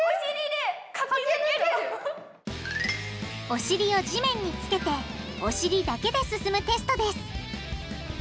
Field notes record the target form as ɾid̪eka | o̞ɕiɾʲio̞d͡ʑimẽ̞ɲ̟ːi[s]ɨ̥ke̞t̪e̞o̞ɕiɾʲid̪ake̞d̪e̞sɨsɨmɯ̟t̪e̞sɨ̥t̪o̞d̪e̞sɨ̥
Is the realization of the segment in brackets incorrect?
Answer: yes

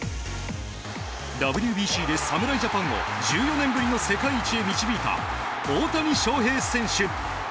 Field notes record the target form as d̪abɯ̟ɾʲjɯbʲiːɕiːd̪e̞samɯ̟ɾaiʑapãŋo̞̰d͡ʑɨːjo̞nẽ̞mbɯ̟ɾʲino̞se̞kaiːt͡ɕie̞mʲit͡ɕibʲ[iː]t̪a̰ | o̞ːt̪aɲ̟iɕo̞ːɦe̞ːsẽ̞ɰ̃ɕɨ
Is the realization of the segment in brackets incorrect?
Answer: no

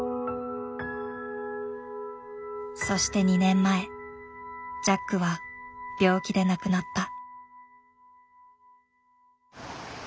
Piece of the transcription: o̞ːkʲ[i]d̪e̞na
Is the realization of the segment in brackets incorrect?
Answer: no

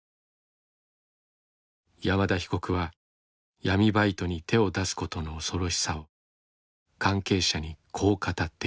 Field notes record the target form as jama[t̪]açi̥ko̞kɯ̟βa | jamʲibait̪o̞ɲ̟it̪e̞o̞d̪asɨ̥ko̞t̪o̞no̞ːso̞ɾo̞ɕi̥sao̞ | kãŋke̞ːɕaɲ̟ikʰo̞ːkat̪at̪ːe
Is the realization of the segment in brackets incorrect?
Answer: yes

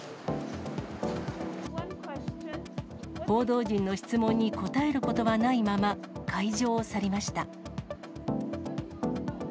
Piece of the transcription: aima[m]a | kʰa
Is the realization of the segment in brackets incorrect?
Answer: no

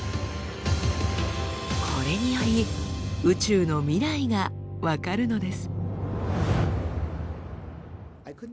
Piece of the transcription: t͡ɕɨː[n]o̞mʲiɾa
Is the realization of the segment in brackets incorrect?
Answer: no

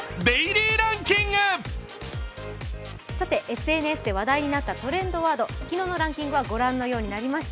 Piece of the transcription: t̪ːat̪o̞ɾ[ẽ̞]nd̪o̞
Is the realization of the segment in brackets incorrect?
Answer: no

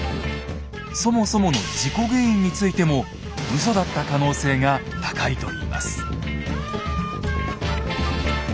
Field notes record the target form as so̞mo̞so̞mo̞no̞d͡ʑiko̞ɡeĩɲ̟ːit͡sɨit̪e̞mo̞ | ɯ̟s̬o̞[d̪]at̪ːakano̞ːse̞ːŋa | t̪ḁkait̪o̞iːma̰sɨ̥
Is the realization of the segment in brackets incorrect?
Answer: no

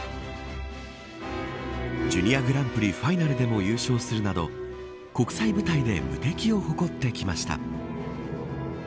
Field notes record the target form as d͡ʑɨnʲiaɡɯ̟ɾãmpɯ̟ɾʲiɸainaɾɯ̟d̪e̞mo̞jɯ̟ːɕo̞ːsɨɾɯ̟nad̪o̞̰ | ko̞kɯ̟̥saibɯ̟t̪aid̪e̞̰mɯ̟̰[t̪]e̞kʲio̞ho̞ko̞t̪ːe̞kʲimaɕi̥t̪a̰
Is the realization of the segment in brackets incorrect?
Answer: no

